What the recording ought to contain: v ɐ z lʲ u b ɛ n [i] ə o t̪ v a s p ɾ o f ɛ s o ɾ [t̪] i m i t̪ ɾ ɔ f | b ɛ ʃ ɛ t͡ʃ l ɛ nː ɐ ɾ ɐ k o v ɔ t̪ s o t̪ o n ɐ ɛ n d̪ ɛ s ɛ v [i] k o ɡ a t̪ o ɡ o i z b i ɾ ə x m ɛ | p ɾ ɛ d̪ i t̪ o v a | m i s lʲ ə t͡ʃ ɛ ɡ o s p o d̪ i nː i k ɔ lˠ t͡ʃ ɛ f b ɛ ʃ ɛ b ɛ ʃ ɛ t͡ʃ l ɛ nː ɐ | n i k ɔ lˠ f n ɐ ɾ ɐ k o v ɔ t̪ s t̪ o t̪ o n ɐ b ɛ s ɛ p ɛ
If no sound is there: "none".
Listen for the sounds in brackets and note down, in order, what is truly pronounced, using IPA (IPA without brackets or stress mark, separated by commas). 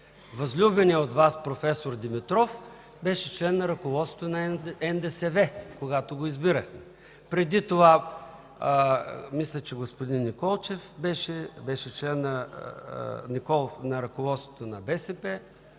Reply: i, d̪, ɛ